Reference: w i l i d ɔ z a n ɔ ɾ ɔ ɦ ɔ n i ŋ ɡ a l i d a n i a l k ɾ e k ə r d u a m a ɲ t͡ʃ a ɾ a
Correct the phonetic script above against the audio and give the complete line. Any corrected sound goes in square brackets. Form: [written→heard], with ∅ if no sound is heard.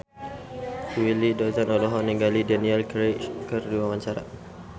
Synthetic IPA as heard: w i l i d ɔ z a n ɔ [ɾ→l] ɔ ɦ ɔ n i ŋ ɡ a l i d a n i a l k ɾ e k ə r d u a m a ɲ t͡ʃ a ɾ a